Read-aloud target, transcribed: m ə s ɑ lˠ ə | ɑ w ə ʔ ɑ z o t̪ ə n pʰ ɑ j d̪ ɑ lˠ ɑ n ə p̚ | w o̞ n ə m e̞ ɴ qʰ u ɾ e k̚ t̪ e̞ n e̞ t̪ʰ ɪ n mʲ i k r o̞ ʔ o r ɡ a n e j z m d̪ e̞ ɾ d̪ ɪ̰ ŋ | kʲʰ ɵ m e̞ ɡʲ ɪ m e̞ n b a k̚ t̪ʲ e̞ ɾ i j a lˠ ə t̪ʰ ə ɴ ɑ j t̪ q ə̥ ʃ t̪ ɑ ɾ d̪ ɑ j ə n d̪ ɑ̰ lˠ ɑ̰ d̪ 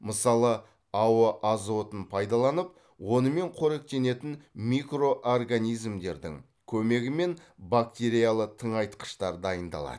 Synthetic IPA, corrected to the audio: m ə s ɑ lˠ ə | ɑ w ə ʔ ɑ z o t̪ ə n pʰ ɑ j d̪ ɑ lˠ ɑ n ə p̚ | w o̞ n ə m e̞ ɴ qʰ o ɾ e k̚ t̪ e̞ n e̞ t̪ ɪ n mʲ i k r o̞ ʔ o r ɡ a n i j z m d̪ e̞ ɾ d̪ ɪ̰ ŋ | kʲʰ ɵ m e̞ ɡʲ ɪ m e̞ n b a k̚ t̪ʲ e̞ ɾ i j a lˠ ə t̪ʰ ə ɴ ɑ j t̪ q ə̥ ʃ t̪ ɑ ɾ d̪ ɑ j ə n d̪ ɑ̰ lˠ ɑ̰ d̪